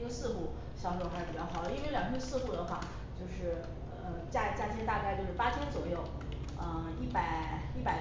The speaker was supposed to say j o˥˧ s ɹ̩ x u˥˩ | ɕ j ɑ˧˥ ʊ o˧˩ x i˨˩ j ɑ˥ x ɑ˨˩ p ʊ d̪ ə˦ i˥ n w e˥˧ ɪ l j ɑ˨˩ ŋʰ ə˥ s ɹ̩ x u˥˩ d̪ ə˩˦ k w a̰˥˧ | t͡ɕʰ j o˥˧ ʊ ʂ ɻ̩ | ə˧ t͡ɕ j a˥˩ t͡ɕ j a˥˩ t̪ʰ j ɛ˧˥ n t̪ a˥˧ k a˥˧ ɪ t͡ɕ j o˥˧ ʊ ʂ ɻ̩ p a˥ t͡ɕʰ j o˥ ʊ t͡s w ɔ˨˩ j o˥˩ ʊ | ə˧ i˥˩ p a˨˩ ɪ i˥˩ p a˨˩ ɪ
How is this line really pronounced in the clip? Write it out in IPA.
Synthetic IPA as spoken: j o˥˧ s ɹ̩ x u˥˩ | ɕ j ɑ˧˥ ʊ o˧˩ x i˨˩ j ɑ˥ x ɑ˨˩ ʊ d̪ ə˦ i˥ n w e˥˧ ɪ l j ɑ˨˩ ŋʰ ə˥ s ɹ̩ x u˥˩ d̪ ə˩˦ x w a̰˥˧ | t͡ɕ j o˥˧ ʊ ʂ ɻ̩ | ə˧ t͡ɕ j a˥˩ t͡ɕ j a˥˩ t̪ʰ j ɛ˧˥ n t̪ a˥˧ k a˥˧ ɪ t͡ɕ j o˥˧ ʊ ʂ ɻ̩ p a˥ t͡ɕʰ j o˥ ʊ t͡s w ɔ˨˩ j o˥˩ ʊ | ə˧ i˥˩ p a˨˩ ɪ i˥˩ p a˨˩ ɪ